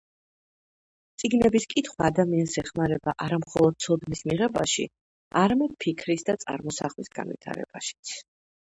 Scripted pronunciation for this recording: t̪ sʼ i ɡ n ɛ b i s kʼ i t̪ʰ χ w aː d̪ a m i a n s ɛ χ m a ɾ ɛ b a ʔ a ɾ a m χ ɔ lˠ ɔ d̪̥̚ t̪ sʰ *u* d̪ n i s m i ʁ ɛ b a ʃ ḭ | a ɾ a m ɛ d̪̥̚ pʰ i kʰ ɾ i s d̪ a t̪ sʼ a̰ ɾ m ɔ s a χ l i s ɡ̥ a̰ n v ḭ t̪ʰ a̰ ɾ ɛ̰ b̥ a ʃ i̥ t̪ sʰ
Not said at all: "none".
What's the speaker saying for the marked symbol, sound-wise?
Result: ɔ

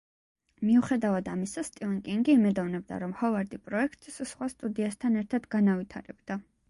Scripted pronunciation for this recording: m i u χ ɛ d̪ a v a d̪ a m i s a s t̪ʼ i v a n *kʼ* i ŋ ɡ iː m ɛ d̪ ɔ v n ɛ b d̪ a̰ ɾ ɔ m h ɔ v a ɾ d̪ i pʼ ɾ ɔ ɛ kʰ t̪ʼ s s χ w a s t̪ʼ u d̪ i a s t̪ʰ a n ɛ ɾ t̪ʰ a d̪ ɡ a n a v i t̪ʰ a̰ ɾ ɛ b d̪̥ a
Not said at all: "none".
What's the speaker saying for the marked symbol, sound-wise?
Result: kʼ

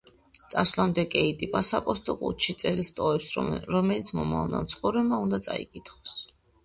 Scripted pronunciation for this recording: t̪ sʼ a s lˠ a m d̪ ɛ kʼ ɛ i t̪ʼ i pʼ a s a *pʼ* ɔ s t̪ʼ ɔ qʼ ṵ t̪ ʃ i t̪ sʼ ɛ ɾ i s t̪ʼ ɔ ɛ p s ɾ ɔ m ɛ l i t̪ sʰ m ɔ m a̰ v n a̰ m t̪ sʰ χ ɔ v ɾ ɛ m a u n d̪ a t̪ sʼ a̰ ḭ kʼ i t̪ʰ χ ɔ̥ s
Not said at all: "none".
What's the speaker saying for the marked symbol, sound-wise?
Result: pʼ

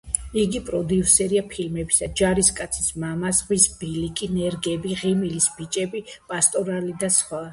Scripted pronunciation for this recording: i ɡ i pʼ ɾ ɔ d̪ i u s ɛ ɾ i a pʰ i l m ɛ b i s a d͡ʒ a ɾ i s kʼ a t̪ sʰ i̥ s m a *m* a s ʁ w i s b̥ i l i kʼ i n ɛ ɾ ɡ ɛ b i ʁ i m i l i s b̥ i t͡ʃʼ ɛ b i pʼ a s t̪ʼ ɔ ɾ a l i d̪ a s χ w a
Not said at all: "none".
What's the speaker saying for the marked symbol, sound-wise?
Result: m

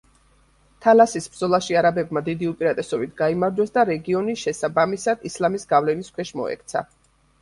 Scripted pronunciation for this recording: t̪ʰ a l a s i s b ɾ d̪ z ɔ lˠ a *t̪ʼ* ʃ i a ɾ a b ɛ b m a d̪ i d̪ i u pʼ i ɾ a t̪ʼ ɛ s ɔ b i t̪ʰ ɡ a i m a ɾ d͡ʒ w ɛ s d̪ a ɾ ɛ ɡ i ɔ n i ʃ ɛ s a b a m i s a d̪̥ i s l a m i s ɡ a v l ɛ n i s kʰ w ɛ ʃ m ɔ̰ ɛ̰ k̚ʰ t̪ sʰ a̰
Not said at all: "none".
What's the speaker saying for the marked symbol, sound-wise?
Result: none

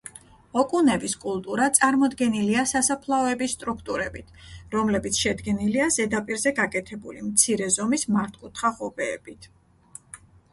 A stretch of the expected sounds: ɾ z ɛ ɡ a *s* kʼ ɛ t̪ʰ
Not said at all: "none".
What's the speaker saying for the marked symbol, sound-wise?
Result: none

